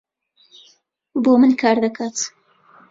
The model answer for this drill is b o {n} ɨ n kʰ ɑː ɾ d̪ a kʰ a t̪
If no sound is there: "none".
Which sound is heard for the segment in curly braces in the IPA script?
m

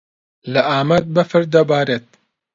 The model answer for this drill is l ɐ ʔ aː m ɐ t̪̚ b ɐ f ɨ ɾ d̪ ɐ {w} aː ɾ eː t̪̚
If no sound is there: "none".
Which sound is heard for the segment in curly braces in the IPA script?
b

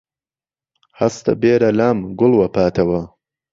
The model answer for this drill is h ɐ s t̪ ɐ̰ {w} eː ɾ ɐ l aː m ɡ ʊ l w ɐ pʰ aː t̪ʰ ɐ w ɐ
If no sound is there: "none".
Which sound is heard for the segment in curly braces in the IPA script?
b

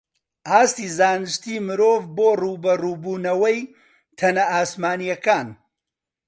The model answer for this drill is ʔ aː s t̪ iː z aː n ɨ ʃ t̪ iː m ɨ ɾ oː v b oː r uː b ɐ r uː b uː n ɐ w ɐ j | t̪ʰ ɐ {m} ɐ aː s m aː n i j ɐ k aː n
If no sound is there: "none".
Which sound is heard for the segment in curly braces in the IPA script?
n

